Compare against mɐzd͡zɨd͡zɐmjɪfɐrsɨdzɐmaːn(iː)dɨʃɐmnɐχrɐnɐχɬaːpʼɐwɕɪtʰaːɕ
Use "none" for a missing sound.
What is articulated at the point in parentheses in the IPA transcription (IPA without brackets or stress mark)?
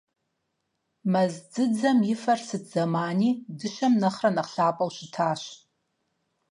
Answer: iː